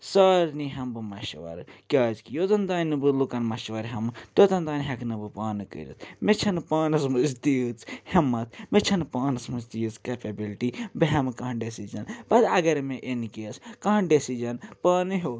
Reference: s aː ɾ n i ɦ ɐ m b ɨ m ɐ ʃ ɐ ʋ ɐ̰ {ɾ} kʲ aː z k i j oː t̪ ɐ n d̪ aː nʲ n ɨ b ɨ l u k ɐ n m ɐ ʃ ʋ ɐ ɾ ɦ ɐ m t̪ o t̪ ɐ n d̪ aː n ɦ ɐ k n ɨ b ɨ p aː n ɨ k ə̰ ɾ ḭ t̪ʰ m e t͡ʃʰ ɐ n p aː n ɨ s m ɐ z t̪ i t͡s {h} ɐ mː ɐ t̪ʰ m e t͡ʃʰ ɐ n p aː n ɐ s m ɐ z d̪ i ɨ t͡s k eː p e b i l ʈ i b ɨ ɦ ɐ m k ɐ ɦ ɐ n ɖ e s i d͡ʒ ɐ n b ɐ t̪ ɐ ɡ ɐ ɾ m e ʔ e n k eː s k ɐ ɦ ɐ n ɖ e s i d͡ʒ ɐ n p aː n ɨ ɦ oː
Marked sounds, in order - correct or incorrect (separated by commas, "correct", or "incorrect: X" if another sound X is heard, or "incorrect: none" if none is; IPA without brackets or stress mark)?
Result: correct, correct